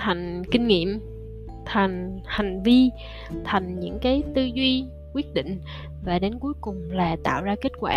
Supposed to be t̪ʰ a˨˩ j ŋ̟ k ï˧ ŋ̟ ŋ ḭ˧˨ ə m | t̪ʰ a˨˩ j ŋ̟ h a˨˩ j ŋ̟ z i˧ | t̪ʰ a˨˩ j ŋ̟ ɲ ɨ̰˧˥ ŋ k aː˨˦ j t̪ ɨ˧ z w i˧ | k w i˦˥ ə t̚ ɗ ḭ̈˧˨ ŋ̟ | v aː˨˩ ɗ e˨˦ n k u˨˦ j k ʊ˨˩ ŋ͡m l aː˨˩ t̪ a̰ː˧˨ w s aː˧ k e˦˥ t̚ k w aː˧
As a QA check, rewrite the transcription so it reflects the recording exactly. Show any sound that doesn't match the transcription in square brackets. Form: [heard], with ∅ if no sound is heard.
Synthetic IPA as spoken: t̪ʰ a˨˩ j ŋ̟ k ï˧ ŋ̟ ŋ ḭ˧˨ ə m | t̪ʰ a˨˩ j ŋ̟ h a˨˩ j ŋ̟ [v] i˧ | t̪ʰ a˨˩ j ŋ̟ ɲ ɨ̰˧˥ ŋ k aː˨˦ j t̪ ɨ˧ z w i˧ | k w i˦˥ ə t̚ ɗ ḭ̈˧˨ ŋ̟ | v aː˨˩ ɗ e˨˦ n k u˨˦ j k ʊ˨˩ ŋ͡m l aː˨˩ t̪ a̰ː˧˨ w [z] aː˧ k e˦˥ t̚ k w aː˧